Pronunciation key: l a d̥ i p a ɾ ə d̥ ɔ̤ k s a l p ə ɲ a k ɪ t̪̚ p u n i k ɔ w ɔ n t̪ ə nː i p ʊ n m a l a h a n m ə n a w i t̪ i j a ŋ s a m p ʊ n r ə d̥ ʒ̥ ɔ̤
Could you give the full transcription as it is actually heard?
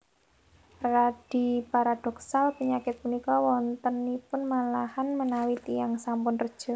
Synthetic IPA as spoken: r a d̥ i p a ɾ a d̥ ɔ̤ k s a l p ə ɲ a k ɪ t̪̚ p u n i k ɔ w ɔ n t̪ ə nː i p ʊ n m a l a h a n m ə n a w i t̪ i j a ŋ s a m p ʊ n r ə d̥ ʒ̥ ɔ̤